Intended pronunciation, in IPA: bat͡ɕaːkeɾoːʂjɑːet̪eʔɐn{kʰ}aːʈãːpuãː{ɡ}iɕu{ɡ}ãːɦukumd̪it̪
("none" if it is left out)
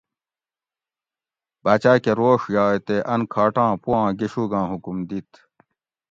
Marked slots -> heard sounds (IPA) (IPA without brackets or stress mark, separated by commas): kʰ, ɡ, ɡ